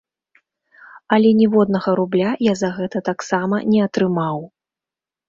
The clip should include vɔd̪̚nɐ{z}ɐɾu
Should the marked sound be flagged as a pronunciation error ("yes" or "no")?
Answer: yes